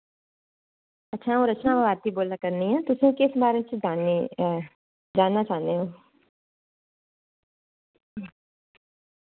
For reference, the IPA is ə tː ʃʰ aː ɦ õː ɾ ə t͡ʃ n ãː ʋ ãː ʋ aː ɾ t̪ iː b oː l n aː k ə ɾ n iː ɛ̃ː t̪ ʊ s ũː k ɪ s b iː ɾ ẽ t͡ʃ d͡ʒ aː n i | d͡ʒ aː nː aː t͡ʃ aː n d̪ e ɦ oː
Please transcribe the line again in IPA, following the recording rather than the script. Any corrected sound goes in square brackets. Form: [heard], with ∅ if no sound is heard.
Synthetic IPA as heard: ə tː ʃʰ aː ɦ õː ɾ ə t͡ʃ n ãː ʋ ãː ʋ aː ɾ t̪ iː b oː l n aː k ə ɾ n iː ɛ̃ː t̪ ʊ s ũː k ɪ s b [aː] ɾ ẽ t͡ʃ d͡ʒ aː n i | d͡ʒ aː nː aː t͡ʃ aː n d̪ e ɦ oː